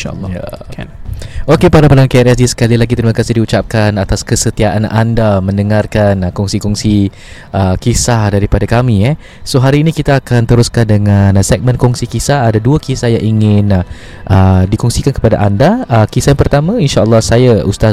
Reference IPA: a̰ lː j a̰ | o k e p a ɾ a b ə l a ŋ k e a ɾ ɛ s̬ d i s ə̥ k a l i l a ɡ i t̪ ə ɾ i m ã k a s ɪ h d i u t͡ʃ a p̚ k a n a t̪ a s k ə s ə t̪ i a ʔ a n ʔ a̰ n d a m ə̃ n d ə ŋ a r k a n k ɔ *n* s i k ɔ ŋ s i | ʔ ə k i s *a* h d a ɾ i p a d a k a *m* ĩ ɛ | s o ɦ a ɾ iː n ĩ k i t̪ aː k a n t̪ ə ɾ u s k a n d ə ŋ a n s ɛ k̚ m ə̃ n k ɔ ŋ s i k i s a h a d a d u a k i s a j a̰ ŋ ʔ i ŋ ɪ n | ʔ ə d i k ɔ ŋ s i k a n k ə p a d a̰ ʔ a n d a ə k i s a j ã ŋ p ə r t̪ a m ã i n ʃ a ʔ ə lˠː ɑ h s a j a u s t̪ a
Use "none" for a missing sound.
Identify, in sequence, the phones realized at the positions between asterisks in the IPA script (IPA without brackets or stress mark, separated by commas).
ŋ, a, m